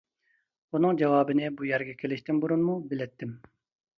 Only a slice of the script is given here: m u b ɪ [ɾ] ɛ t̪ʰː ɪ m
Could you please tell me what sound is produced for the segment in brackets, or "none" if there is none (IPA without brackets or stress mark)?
l